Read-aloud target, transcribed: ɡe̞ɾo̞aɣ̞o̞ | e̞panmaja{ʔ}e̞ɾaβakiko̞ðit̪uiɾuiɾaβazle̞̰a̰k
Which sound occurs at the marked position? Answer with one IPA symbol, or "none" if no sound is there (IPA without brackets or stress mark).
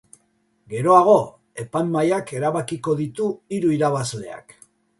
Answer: k